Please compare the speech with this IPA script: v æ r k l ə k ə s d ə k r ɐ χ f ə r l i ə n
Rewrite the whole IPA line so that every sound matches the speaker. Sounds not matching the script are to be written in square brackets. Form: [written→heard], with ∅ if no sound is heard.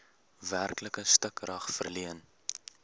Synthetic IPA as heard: v æ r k l ə k ə s [d→t] ə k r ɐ χ f ə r l i ə n